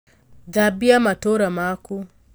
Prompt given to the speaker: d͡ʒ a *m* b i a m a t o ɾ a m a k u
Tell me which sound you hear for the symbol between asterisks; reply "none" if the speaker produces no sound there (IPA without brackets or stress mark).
none